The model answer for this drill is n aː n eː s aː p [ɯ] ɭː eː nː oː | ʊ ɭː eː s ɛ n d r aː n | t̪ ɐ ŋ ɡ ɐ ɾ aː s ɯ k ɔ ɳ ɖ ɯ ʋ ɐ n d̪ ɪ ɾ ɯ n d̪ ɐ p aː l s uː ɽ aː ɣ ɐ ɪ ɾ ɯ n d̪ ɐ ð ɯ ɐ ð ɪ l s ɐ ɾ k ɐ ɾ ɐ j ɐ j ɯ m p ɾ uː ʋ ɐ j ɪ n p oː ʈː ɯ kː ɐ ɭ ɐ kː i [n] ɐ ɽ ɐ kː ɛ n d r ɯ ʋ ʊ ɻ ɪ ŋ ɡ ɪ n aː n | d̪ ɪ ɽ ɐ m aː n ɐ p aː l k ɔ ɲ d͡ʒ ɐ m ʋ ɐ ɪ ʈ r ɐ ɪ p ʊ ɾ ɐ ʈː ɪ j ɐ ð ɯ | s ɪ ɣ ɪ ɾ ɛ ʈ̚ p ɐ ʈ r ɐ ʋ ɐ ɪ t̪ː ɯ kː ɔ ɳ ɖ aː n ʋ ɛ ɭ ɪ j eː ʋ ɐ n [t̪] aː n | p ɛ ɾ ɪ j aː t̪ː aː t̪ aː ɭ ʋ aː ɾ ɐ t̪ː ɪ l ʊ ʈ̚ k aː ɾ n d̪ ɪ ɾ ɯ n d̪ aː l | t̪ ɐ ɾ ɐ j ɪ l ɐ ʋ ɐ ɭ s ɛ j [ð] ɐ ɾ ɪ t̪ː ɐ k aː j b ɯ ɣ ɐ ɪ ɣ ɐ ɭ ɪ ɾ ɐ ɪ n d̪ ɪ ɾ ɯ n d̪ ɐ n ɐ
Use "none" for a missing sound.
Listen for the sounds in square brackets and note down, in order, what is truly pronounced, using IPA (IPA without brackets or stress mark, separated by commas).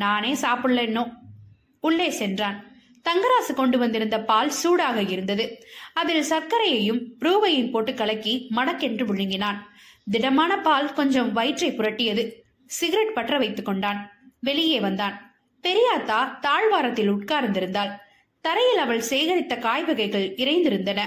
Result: ɯ, m, d̪, ɣ